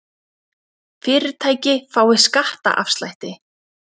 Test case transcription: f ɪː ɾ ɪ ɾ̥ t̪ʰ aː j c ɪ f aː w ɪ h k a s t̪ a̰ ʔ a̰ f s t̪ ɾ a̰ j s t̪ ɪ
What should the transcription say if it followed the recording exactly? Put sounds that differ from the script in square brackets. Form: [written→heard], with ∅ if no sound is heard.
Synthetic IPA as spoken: f ɪː ɾ ɪ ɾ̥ t̪ʰ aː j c ɪ f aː w ɪ [h→s] k a [s→h] t̪ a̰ ʔ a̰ f s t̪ [ɾ→l] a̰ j [s→h] t̪ ɪ